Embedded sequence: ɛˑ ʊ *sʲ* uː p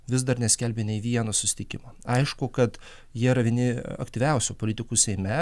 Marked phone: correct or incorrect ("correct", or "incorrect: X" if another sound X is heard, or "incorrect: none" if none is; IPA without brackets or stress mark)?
correct